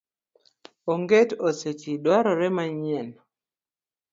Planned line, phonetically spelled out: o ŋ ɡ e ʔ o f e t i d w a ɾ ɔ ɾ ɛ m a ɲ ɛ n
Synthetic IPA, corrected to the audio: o ŋ ɡ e t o s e t͡ʃ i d w a ɾ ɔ ɾ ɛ m a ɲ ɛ n